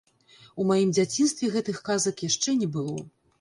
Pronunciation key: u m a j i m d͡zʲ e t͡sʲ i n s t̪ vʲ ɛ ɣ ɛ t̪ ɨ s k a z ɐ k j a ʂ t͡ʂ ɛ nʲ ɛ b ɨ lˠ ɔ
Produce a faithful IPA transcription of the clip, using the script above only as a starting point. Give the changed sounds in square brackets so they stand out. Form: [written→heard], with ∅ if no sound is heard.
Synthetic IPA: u m a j i m d͡zʲ [e→a] t͡sʲ i n s t̪ vʲ ɛ ɣ ɛ t̪ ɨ [s→x] k a z ɐ k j a ʂ t͡ʂ ɛ nʲ ɛ b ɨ lˠ ɔ